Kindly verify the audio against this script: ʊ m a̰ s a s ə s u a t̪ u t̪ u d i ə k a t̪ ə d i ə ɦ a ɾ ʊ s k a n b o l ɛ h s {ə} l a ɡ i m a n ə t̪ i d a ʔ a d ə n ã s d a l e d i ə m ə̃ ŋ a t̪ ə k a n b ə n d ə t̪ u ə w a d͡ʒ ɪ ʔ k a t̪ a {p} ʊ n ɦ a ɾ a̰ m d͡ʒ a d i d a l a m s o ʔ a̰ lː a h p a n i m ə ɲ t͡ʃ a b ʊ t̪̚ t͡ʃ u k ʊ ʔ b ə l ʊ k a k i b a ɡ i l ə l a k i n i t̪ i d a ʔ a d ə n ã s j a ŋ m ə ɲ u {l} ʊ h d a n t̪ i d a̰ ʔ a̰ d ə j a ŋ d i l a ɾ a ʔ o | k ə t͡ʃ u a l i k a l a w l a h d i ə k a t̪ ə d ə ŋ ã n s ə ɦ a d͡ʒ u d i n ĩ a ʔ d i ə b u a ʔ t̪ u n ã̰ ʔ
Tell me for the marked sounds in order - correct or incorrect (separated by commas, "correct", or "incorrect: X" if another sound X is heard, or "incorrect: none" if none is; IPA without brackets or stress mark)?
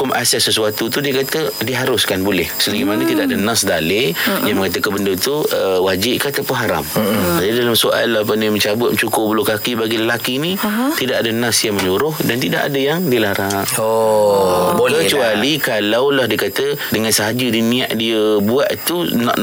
correct, correct, incorrect: ɾ